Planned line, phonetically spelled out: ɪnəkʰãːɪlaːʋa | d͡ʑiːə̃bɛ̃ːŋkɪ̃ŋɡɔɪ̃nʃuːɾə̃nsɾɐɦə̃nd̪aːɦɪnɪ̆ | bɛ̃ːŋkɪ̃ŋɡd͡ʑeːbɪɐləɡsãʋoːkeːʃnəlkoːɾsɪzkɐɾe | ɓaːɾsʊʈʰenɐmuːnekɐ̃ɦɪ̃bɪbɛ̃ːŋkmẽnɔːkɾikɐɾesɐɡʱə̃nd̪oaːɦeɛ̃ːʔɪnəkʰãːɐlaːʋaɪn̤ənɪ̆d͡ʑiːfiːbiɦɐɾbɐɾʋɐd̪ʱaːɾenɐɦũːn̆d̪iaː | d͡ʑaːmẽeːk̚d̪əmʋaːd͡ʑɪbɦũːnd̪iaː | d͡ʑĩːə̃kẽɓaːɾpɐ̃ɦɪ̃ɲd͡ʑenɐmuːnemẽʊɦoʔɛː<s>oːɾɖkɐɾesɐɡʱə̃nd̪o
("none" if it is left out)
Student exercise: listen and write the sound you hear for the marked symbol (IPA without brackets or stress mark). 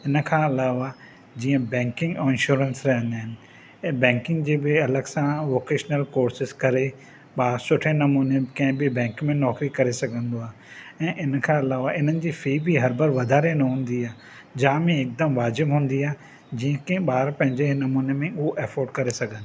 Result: f